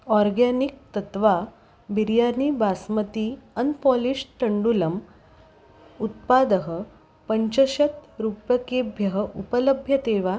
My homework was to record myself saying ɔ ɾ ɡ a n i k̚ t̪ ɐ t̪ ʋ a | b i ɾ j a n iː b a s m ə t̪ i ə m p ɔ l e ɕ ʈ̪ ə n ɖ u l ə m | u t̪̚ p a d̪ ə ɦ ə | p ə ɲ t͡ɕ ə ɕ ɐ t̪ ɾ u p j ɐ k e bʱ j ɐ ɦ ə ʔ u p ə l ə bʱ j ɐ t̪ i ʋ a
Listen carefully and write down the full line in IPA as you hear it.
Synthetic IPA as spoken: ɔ ɾ ɡ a n i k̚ t̪ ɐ t̪ ʋ a | b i ɾ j a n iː b a s m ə t̪ i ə n p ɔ l i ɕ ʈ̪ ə ɳ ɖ u l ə m | u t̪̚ p a d̪ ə ɦ ə | p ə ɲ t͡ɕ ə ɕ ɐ t̪ ɾ u p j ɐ k e bʱ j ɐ ɦ ə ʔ u p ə l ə bʱ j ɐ t̪ e ʋ a